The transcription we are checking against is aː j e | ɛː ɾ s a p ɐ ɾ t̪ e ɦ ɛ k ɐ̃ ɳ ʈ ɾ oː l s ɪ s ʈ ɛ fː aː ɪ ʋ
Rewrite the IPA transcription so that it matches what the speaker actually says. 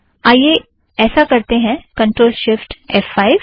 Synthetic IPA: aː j e | ɛː s a k ɐ ɾ t̪ e ɦ ɛ̃ k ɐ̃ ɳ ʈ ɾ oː l ʃ ɪ f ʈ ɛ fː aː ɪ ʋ